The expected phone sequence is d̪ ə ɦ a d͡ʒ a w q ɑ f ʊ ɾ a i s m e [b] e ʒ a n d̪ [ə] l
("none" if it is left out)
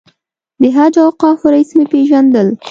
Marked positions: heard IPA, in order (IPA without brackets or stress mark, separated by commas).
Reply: p, ə